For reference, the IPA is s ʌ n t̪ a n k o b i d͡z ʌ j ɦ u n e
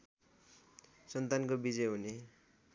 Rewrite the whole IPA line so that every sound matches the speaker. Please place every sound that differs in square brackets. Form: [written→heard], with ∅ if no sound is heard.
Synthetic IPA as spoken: s ʌ n t̪ a n k o b i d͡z ʌ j ɦ u n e